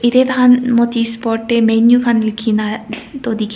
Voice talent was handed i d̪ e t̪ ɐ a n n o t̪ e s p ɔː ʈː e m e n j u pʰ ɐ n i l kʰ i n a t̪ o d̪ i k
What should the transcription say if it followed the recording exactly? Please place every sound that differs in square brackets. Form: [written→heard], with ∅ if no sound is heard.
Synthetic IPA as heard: i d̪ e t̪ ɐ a n [n→m] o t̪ [e→i] s p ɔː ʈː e m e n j u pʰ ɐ n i l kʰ i n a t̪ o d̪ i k